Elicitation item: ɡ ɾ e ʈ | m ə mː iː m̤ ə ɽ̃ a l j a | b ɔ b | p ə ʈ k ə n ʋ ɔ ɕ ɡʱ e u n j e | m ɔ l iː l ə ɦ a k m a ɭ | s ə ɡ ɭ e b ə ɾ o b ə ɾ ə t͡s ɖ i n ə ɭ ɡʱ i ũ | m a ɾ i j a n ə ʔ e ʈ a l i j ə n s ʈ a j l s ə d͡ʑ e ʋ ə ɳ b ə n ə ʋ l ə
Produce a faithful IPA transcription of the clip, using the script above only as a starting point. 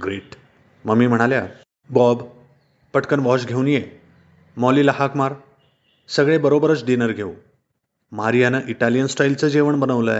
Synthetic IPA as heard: ɡ ɾ e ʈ | m ə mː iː m̤ ə ɽ̃ a l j a | b ɔ b | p ə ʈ k ə n ʋ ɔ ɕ ɡʱ e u n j e | m ɔ l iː l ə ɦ a k m a ɾ | s ə ɡ ɭ e b ə ɾ o b ə ɾ ə t͡s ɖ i n ə ɾ ɡʱ e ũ | m a ɾ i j a n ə ʔ i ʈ a l i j ə n s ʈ a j l t͡s ə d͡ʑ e ʋ ə ɳ b ə n ə ʋ l ə